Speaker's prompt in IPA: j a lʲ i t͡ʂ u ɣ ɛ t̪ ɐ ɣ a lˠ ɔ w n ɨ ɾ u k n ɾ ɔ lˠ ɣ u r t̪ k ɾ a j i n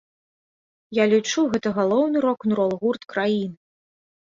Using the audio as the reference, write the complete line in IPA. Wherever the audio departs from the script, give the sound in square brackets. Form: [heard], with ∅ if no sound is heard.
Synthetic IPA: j a lʲ i t͡ʂ u ɣ ɛ t̪ ɐ ɣ a lˠ ɔ w n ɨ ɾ [ɔ] k n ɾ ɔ lˠ ɣ u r t̪ k ɾ a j i n